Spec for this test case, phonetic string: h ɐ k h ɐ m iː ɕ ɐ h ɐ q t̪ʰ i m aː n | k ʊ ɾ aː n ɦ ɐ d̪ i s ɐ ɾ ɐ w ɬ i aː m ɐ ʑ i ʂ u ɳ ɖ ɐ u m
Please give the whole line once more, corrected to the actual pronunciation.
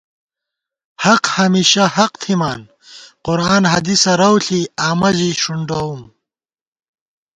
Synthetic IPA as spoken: h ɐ q h ɐ m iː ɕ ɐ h ɐ q t̪ʰ i m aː n | q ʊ ɾ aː n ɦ ɐ d̪ i s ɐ ɾ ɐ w ɬ i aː m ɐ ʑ i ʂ u ɳ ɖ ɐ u m